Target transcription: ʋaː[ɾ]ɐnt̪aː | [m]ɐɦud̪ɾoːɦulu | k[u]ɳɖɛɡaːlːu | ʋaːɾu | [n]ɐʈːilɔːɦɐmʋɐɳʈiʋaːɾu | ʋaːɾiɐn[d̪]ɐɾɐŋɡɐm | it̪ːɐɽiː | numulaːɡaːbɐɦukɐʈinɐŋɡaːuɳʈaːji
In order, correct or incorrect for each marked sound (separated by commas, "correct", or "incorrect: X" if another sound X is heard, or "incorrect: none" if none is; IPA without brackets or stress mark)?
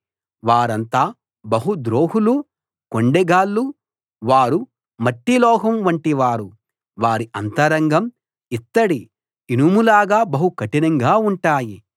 correct, incorrect: b, incorrect: o, incorrect: m, incorrect: t̪